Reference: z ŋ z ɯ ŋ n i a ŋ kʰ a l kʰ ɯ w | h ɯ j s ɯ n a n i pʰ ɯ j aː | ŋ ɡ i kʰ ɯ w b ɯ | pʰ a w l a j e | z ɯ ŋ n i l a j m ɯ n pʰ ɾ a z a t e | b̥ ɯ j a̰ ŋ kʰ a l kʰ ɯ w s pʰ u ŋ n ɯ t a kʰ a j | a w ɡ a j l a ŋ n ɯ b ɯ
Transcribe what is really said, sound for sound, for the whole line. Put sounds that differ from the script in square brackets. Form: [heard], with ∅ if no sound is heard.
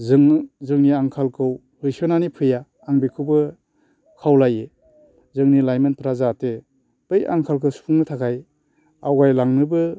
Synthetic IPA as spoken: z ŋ z ɯ ŋ n i a ŋ kʰ a l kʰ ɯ w | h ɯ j s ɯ n a n i pʰ ɯ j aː | ŋ [b] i kʰ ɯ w b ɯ | [kʰ] a w l a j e | z ɯ ŋ n i l a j m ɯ n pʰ ɾ a z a t e | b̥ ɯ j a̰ ŋ kʰ a l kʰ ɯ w s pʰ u ŋ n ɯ [tʰ] a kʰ a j | a w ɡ a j l a ŋ n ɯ b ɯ